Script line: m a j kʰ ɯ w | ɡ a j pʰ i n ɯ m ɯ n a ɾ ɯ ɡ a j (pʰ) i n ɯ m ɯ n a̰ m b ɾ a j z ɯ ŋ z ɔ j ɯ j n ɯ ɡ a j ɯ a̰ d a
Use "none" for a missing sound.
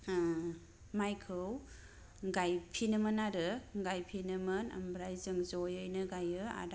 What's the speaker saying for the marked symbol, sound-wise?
pʰ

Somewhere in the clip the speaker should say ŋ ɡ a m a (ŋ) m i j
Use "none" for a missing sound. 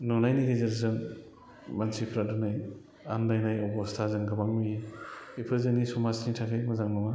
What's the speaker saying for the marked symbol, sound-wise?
ŋ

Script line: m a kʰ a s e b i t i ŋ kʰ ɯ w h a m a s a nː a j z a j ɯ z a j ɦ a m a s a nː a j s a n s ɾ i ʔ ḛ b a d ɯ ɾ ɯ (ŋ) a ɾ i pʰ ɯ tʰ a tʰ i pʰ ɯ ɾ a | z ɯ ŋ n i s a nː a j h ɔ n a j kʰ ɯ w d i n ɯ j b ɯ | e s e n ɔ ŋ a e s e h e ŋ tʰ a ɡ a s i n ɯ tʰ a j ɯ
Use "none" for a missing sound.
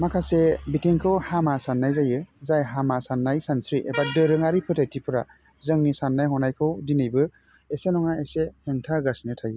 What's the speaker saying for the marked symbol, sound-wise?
ŋ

